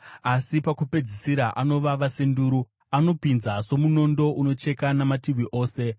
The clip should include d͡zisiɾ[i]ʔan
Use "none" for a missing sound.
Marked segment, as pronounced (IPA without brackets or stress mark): a